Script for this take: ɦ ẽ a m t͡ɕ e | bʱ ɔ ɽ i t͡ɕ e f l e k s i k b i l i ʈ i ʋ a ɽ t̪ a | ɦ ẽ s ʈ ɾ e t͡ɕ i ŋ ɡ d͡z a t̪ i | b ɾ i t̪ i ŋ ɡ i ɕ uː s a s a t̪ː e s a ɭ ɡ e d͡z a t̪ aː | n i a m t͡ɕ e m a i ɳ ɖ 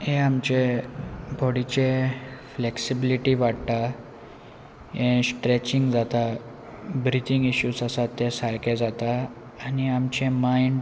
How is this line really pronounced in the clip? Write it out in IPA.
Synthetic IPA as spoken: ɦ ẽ a m t͡ɕ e | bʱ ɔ ɽ i t͡ɕ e f l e k s i b i l i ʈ i ʋ a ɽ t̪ a | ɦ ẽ s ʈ ɾ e t͡ɕ i ŋ ɡ d͡z a t̪ a | b ɾ i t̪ i ŋ ɡ i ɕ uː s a s a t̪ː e s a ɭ k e d͡z a t̪ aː | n i a m t͡ɕ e m a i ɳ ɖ